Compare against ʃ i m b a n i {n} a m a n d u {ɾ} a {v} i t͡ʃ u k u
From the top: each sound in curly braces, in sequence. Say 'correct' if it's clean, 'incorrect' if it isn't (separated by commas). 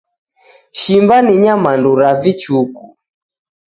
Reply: incorrect, correct, correct